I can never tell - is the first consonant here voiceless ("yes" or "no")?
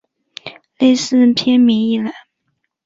no